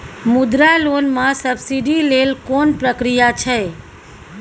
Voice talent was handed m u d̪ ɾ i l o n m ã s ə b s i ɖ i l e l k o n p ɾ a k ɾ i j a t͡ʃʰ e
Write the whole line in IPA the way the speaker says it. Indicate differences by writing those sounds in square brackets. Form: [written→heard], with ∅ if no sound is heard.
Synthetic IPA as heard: m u d̪ ɾ [i→a] l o n m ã s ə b s i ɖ i l e l k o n p ɾ [a→ə] k ɾ i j a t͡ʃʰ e